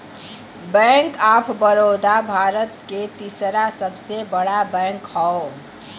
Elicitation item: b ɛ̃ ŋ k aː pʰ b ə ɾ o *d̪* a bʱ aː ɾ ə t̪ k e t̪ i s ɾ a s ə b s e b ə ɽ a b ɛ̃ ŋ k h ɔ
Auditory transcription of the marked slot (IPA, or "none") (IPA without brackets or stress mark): d̪